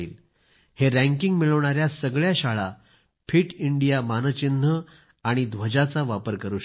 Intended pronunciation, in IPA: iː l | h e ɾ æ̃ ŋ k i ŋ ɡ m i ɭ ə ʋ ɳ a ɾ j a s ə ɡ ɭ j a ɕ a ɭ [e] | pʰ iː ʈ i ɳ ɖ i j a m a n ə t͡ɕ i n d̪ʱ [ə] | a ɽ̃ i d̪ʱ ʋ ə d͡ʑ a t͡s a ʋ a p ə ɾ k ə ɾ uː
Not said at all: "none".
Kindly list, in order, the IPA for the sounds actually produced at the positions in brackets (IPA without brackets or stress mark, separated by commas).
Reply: a, ə